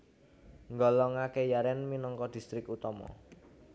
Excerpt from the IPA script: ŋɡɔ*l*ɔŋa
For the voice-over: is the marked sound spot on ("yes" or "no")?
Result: yes